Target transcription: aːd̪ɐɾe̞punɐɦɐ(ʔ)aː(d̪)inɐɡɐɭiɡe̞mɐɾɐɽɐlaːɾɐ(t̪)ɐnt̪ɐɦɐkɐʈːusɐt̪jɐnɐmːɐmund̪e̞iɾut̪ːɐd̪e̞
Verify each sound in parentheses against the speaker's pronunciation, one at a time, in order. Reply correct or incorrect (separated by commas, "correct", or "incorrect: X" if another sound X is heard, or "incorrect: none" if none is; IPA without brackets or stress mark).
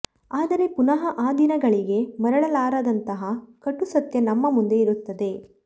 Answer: correct, correct, incorrect: d̪